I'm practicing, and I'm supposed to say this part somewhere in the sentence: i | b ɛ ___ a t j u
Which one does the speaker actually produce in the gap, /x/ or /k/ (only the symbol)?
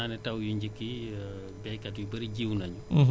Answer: k